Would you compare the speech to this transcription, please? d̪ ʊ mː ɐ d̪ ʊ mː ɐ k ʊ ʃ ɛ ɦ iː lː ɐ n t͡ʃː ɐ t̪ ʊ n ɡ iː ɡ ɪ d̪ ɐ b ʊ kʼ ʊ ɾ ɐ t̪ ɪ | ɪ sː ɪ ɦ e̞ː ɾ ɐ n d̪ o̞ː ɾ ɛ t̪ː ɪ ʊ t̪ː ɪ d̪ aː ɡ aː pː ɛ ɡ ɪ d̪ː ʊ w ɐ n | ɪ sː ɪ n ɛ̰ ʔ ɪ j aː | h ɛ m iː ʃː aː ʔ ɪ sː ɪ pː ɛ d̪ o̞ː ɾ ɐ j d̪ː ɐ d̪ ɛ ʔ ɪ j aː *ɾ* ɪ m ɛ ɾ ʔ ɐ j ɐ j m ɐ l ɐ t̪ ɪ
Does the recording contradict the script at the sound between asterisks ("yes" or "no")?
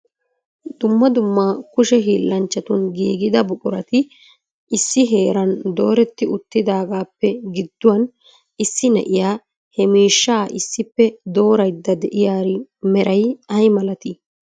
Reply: no